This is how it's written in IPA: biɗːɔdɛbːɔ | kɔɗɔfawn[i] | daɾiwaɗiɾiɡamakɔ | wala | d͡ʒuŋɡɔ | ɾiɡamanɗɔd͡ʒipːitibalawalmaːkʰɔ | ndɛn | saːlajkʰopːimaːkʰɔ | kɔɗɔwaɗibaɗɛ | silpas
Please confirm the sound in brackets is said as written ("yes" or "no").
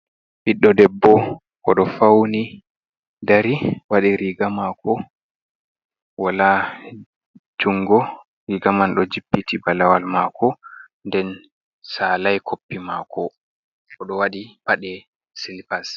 yes